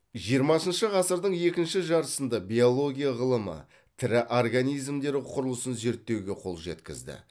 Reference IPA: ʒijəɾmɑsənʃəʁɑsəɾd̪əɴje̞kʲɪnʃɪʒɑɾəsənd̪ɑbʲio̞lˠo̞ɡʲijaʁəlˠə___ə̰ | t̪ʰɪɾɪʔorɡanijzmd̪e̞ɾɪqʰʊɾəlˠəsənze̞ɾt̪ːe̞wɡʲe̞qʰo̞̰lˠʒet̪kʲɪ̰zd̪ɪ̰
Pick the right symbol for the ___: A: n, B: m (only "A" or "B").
B